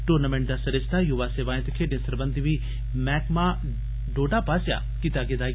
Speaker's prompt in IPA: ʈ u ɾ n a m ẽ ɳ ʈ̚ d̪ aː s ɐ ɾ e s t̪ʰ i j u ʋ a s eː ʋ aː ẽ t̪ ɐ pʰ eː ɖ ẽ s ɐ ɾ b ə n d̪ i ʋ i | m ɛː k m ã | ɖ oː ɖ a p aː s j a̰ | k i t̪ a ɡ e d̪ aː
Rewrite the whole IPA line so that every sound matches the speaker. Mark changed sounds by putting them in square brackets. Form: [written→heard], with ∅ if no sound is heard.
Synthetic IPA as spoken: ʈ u ɾ n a m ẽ ɳ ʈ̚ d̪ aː s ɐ ɾ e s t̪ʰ [i→a] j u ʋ a s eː ʋ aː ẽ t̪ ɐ [pʰ→kʰ] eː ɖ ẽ s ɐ ɾ b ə n d̪ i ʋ i | m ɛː k m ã | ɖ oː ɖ a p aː s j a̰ | k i t̪ a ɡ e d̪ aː